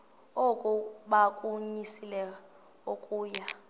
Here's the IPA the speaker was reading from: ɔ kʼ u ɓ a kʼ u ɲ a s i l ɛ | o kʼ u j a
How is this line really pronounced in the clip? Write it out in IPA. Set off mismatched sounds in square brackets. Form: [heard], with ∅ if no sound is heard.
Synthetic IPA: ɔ kʼ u ɓ a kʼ u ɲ [i] s i l ɛ | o kʼ [uː] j a